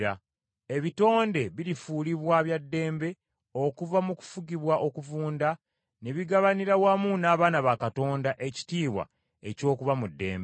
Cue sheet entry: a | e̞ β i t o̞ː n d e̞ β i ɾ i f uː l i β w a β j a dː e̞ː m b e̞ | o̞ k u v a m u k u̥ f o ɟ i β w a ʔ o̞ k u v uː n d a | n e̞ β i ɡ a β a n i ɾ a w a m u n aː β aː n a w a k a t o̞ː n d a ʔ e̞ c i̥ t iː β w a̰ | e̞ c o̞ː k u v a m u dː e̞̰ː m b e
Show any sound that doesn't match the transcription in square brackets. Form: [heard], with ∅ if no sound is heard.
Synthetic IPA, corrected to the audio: a | e̞ β i t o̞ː n d e̞ β i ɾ i f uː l i β w a β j a dː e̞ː m b e̞ | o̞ k u v a m u k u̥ f [u] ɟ i β w a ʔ o̞ k u v uː n d a | n e̞ β i ɡ a β a n i ɾ a w a m u n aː β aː n a [β] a k a t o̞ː n d a ʔ e̞ c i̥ t iː β w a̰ | e̞ c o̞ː k u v a m u dː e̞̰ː m b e